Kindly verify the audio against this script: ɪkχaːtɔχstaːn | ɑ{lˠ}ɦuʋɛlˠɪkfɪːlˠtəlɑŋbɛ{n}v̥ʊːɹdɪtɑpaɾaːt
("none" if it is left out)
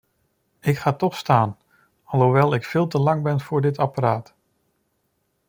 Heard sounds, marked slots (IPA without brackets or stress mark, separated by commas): lˠ, n